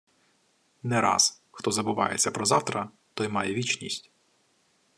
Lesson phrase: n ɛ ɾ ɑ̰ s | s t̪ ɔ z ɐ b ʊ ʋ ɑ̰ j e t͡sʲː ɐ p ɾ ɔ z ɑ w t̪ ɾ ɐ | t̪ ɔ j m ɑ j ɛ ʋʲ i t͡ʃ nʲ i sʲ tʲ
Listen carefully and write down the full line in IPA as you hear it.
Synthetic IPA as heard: n ɛ ɾ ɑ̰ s | x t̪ ɔ z ɐ b ʊ ʋ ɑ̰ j e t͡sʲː ɐ p ɾ ɔ z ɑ w t̪ ɾ ɐ | t̪ ɔ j m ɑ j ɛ ʋʲ i t͡ʃ nʲ i sʲ tʲ